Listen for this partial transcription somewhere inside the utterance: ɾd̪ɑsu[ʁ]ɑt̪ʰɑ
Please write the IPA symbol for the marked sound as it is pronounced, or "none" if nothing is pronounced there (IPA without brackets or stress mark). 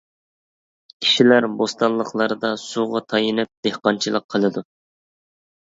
ʁ